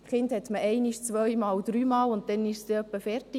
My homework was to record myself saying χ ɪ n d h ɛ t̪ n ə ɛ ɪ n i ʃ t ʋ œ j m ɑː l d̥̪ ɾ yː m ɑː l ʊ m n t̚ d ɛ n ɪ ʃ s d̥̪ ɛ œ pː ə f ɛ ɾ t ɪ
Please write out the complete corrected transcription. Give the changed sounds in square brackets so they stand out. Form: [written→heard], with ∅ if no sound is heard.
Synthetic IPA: χ ɪ n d h ɛ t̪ [n→m] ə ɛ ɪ n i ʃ [t→t͡s] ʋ œ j m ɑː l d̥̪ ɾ yː m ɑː l ʊ [m→∅] n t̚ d ɛ n ɪ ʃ s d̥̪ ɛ œ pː ə f ɛ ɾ t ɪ